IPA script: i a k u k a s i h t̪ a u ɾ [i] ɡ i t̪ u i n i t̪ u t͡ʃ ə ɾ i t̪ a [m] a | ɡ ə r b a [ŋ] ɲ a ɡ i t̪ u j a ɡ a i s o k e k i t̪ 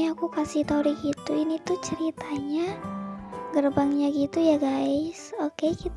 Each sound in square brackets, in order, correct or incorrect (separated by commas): correct, incorrect, correct